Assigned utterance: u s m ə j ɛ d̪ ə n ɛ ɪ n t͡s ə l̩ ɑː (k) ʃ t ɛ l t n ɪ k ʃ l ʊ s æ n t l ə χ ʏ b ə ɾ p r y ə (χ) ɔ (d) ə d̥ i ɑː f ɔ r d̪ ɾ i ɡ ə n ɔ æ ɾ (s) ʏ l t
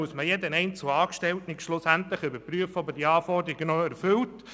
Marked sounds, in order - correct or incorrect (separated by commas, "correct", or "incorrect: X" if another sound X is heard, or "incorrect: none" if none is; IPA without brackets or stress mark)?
correct, incorrect: f, incorrect: b, incorrect: f